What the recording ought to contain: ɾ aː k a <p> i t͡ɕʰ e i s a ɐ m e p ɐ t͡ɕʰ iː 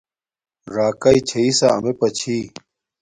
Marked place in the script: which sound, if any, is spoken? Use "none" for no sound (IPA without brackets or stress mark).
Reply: none